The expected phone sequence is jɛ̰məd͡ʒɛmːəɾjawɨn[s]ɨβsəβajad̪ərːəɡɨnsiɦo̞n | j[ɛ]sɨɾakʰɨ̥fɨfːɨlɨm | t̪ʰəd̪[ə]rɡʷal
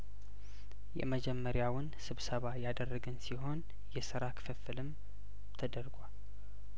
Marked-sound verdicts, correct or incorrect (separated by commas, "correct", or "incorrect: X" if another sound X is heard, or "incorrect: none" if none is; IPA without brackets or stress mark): correct, correct, correct